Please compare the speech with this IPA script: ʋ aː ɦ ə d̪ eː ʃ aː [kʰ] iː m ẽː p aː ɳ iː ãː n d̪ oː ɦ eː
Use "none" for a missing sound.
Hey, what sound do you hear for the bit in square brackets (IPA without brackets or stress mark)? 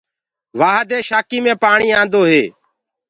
k